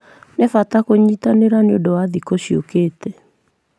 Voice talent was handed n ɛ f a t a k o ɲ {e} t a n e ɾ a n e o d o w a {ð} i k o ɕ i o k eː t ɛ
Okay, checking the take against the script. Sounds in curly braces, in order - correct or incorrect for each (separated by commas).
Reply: incorrect, correct